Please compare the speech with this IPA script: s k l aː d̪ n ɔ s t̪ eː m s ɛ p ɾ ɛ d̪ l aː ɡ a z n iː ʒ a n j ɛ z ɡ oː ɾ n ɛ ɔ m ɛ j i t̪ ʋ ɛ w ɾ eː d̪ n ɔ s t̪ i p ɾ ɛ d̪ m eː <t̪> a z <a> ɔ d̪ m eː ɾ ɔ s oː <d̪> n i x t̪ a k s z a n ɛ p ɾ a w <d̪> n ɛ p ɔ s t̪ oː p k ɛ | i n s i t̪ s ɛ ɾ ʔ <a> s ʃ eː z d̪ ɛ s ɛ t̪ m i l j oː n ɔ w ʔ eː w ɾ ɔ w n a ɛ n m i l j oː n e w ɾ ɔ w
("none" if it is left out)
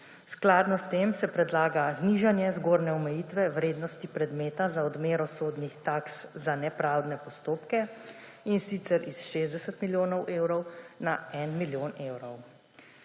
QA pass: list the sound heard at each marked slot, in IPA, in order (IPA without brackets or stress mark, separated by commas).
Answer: t̪, a, d̪, d̪, i